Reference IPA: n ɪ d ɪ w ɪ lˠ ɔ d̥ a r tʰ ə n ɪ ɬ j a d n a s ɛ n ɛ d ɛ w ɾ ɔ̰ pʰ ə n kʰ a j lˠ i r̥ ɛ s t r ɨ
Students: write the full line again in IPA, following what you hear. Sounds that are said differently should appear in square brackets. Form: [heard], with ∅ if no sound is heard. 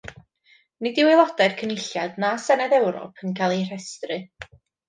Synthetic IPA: n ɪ d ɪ w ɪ lˠ ɔ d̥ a r [kʰ] ə n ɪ ɬ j a d n a s ɛ n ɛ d ɛ w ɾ ɔ̰ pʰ ə n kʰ a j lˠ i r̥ ɛ s t r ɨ